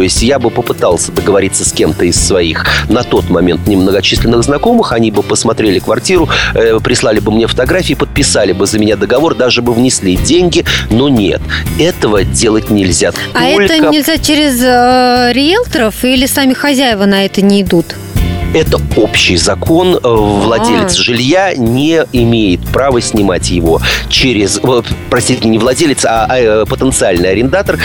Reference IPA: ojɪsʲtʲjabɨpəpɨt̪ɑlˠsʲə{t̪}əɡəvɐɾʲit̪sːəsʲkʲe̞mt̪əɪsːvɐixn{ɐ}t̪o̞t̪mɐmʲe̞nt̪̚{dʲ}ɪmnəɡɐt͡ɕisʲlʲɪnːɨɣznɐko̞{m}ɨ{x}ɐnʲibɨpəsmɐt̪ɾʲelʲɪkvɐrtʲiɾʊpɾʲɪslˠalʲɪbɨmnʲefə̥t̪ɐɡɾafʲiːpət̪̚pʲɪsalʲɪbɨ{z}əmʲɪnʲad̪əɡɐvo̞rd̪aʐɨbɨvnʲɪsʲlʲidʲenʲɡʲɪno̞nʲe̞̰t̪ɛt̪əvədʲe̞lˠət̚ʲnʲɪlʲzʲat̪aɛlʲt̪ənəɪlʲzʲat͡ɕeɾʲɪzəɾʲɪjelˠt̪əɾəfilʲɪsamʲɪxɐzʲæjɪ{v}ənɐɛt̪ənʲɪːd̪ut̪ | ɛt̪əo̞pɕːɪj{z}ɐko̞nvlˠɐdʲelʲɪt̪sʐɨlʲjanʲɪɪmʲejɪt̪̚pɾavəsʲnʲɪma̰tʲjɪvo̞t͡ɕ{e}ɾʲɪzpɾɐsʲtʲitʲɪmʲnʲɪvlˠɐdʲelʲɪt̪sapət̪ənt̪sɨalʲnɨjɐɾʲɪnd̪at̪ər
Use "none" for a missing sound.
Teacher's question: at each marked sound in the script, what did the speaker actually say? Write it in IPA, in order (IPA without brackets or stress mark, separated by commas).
d̪, ɐ, nʲ, m, x, z, v, z, e